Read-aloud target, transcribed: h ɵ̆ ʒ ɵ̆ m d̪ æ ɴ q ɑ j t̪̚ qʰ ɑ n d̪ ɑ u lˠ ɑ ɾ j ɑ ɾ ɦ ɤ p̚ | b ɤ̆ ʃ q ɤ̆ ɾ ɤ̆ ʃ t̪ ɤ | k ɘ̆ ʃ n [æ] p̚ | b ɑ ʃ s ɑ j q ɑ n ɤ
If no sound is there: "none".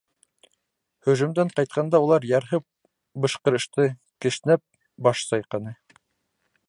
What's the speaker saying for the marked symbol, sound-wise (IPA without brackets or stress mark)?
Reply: æ